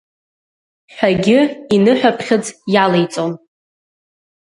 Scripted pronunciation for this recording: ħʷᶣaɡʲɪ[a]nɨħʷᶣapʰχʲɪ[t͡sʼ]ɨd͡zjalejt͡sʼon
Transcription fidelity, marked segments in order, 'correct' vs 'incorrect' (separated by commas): incorrect, incorrect